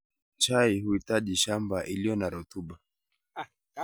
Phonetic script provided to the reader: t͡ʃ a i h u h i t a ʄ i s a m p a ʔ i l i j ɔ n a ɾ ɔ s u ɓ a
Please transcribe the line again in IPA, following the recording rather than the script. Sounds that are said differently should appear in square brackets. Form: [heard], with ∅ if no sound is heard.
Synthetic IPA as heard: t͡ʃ a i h u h i t a ʄ i [ʃ] a m [b] a ʔ i l i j ɔ n a ɾ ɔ [t] u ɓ a